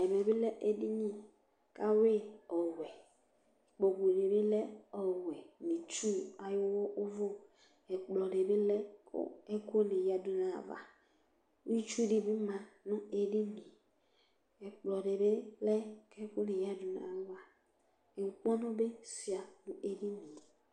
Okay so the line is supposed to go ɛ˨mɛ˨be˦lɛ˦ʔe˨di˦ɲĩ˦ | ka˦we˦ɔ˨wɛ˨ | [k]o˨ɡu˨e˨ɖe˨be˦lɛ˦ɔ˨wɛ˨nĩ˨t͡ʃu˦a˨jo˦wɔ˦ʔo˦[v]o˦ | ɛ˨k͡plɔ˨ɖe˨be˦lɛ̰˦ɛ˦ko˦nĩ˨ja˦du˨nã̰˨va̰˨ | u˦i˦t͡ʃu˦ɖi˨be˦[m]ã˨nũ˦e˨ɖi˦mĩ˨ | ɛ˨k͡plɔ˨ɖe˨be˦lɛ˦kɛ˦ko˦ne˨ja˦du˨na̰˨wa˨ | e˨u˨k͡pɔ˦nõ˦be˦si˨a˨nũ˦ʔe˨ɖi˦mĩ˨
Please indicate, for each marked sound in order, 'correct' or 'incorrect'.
incorrect, correct, correct

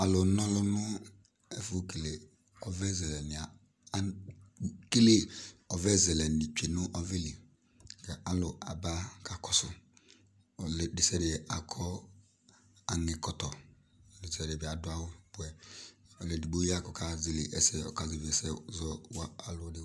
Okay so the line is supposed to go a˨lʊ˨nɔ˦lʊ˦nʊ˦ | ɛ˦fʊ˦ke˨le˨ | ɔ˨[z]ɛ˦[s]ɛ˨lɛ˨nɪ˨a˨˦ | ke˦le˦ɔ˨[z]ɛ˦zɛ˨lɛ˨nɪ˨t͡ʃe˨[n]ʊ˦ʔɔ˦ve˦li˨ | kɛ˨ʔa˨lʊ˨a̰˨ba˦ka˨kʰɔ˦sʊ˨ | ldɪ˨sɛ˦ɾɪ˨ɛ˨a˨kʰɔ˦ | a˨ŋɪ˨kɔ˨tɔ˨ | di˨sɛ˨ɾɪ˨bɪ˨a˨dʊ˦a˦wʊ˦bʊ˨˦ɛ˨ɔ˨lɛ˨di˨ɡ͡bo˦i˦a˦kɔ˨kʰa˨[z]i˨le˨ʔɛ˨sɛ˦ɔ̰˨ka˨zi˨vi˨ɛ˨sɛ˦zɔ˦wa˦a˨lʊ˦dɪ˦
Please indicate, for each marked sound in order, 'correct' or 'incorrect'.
incorrect, incorrect, incorrect, correct, correct

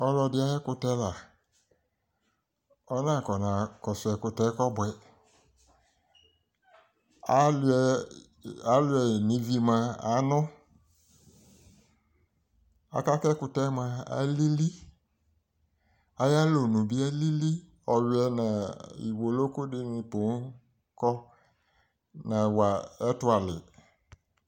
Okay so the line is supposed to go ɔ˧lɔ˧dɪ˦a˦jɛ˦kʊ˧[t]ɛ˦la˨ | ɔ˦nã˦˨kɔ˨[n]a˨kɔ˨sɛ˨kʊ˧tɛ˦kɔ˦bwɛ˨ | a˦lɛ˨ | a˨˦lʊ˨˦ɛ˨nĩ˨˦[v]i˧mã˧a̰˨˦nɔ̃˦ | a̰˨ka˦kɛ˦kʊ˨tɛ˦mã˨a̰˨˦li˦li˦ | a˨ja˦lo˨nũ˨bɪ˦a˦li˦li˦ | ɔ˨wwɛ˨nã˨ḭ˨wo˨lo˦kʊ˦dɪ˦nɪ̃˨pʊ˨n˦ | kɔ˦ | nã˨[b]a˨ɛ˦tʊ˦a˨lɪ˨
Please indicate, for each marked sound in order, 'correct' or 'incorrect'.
correct, correct, correct, incorrect

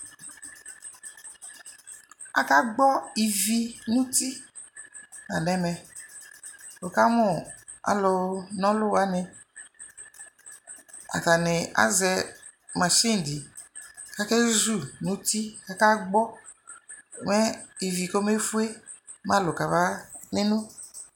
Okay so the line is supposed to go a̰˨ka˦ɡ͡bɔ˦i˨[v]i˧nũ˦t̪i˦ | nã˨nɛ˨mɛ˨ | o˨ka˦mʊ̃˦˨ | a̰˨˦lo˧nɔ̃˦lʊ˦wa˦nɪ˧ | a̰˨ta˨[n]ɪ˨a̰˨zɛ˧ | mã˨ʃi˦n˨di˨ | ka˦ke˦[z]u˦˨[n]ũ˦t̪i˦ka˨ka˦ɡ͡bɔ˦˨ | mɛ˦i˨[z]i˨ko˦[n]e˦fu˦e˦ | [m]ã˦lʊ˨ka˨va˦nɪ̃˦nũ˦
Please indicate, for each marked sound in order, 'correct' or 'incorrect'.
correct, correct, correct, correct, incorrect, incorrect, correct

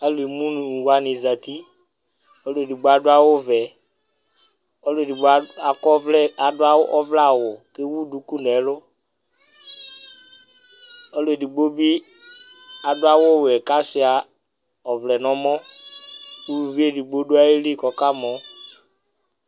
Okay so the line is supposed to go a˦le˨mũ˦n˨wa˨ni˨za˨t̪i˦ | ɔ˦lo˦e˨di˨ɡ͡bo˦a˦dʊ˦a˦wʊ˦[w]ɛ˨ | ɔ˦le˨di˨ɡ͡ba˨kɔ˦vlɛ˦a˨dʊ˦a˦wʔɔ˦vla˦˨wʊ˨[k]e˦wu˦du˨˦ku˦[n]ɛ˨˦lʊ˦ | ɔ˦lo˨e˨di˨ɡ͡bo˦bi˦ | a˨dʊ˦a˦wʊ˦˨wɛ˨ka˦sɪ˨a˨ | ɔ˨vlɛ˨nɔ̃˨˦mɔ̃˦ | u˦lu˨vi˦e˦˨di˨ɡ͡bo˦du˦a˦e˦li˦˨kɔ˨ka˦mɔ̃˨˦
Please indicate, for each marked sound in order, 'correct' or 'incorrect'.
incorrect, correct, correct

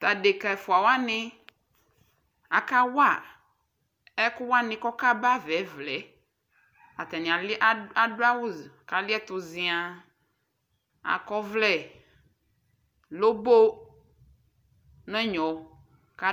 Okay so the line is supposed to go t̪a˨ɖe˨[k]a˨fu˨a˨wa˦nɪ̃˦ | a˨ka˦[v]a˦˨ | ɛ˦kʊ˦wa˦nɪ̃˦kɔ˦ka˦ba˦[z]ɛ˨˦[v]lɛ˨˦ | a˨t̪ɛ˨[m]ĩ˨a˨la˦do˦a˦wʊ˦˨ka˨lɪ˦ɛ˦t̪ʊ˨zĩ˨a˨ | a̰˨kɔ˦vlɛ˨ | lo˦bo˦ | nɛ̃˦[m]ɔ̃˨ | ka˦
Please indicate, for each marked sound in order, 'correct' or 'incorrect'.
correct, incorrect, incorrect, correct, incorrect, incorrect

